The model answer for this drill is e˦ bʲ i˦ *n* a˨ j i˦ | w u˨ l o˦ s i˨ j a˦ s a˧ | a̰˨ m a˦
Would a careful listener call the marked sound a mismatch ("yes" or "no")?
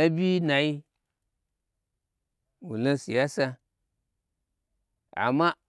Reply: no